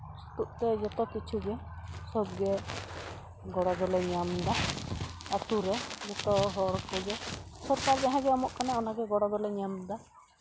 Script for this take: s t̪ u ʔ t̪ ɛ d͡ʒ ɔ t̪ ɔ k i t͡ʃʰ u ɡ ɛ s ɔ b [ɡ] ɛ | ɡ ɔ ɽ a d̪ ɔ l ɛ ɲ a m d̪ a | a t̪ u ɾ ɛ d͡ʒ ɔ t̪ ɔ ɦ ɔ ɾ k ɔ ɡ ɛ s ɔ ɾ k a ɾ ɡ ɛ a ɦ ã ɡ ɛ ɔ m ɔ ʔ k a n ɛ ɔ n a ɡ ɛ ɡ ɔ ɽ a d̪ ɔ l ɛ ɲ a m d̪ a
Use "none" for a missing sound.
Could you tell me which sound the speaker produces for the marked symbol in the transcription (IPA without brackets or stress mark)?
ɡ